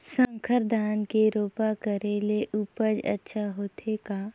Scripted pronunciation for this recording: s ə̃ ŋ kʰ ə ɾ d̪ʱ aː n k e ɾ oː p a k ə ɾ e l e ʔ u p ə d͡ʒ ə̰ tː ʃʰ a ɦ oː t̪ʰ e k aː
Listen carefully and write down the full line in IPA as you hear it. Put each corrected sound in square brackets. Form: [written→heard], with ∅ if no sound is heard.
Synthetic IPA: s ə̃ ŋ kʰ ə ɾ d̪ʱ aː n k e ɾ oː p a k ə ɾ e l e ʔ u p ə d͡ʒ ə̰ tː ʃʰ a ɦ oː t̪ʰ e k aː